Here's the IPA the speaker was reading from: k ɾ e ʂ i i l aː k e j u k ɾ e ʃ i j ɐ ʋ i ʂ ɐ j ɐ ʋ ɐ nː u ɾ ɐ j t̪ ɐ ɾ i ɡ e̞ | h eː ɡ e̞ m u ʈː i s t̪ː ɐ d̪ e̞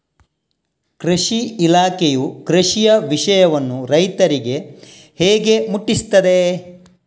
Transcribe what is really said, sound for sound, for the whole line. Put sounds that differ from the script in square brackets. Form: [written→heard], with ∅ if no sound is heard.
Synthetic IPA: k ɾ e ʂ i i l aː k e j u k ɾ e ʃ i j ɐ ʋ i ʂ ɐ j ɐ ʋ ɐ nː u ɾ ɐ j t̪ ɐ ɾ i ɡ e̞ | h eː ɡ e̞ m u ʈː i s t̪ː ɐ d̪ e̞